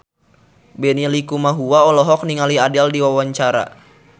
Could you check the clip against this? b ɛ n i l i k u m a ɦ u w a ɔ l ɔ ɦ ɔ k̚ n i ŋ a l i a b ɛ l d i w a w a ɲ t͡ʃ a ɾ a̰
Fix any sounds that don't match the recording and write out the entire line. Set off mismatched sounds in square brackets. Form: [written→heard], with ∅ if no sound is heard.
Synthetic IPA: b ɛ n i l i k u m a ɦ u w a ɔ l ɔ ɦ ɔ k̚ n i ŋ a l i a [b→d] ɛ l d i w a w a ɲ t͡ʃ a ɾ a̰

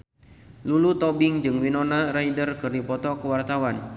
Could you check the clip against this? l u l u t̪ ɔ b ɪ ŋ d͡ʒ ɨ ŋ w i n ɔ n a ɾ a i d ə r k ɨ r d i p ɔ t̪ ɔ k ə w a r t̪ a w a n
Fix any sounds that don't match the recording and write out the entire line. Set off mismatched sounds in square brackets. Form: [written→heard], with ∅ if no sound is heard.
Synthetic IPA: l u l u t̪ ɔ b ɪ ŋ d͡ʒ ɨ ŋ w i n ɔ n a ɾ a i d ə r k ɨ r d i p ɔ t̪ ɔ k ə w a r t̪ a w a n

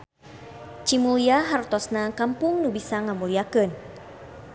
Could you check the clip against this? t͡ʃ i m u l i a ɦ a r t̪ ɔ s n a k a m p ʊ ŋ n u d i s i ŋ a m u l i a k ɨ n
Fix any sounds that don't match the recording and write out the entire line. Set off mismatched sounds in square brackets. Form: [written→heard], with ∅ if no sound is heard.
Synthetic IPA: t͡ʃ i m u l i a ɦ a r t̪ ɔ s n a k a m p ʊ ŋ n u [d→b] i s [i→a] ŋ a m u l i a k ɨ n

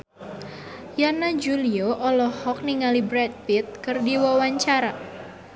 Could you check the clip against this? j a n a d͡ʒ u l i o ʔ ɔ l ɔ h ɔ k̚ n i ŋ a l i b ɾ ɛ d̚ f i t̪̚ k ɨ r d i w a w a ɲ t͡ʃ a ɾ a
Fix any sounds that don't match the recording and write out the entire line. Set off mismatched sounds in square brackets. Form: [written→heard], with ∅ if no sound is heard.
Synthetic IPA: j a n a d͡ʒ u l i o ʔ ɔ l ɔ h ɔ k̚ n i ŋ a l i b ɾ ɛ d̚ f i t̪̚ k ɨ r d i w a w a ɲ t͡ʃ a ɾ a

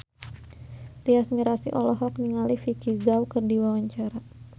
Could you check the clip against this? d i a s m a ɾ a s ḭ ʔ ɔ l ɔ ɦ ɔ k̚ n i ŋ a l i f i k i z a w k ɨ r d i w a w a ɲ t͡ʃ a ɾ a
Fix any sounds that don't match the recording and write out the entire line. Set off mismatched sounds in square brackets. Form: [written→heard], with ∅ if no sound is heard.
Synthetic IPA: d i a s m [a→i] ɾ a s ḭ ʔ ɔ l ɔ ɦ ɔ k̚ n i ŋ a l i f i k i z a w k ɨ r d i w a w a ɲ t͡ʃ a ɾ a

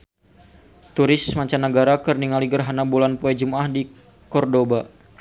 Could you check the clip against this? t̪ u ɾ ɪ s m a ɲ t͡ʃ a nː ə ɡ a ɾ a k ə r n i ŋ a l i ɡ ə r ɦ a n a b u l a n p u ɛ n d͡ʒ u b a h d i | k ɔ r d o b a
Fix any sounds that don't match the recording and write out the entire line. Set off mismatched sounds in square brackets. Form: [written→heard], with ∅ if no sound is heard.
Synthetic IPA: t̪ u ɾ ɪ s m a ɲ t͡ʃ a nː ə ɡ a ɾ a k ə r n i ŋ a l i ɡ ə r ɦ a n a b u l a n p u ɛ [n→∅] d͡ʒ u [b→m] a h d i | k ɔ r d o b a

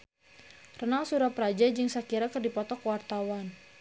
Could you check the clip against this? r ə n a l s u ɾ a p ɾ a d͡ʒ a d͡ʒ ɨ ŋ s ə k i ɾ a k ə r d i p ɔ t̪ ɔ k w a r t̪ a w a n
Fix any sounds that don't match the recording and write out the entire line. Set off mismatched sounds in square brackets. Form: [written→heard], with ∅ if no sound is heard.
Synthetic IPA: r ə n a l s u ɾ a p ɾ a d͡ʒ a d͡ʒ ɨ ŋ s [ə→a] k i ɾ a k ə r d i p ɔ t̪ ɔ k w a r t̪ a w a n

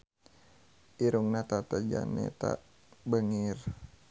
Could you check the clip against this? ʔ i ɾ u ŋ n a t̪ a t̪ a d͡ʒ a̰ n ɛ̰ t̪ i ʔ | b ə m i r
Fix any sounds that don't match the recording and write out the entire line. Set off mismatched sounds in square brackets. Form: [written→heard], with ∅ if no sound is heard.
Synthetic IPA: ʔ i ɾ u ŋ n a t̪ a t̪ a d͡ʒ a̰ n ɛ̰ t̪ [i→a] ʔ | b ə [m→ŋ] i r

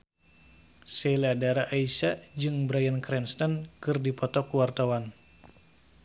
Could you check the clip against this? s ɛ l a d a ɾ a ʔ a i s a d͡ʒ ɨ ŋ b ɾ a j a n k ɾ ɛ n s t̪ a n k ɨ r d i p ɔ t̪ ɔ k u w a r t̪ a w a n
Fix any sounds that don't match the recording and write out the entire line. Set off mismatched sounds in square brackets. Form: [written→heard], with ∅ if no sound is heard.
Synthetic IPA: s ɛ l a d a ɾ a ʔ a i s a d͡ʒ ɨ ŋ b ɾ a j a n k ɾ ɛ n s t̪ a n k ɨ r d i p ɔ t̪ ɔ k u w a r t̪ a w a n

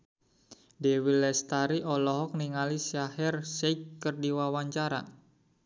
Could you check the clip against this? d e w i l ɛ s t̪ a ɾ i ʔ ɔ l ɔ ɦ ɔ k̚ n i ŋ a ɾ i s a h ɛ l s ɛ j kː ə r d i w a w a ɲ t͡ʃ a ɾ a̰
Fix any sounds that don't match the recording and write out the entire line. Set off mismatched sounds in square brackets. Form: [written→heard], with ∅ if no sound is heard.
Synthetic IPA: d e w i l ɛ s t̪ a ɾ i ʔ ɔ l ɔ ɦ ɔ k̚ n i ŋ a [ɾ→l] i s a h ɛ [l→r] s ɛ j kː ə r d i w a w a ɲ t͡ʃ a ɾ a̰

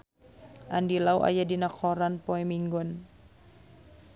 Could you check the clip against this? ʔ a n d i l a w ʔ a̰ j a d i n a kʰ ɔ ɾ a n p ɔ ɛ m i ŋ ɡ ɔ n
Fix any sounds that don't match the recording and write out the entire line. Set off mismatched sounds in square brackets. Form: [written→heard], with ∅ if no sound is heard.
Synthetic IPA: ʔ a n d i l a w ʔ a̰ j a d i n a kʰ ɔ ɾ a n p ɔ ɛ m i ŋ ɡ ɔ n

